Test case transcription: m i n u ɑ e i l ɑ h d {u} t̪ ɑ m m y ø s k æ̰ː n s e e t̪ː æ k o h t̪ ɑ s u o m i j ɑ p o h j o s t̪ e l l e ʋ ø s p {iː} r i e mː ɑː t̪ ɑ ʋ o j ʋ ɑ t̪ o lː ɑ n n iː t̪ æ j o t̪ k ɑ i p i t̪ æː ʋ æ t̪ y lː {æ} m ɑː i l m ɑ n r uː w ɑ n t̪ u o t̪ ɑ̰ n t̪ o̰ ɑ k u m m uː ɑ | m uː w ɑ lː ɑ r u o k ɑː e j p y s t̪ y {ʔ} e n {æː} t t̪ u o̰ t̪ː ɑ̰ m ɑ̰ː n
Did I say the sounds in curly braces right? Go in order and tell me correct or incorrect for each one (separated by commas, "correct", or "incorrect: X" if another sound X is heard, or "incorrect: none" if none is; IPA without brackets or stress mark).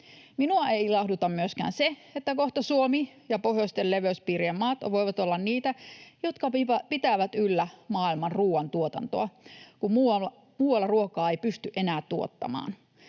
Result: correct, correct, correct, correct, correct